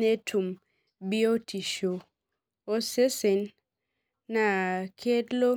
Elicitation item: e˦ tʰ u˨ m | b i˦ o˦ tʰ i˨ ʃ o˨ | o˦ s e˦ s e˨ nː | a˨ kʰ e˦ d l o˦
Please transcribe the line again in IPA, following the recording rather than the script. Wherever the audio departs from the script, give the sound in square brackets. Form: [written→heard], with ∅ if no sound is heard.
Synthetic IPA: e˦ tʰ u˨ m | b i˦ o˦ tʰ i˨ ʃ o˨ | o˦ s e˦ s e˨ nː | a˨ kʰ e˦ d l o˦